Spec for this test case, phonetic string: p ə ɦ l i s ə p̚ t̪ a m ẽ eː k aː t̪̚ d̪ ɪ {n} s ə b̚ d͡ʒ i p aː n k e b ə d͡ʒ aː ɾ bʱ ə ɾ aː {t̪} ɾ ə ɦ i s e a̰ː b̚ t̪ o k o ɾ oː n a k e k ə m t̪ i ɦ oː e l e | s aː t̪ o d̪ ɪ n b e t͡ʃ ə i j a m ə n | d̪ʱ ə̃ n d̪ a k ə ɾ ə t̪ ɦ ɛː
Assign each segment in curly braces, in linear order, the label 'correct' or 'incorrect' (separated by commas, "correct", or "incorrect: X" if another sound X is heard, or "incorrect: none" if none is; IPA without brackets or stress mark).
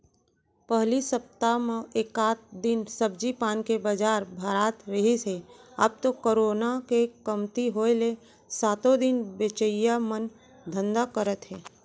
correct, correct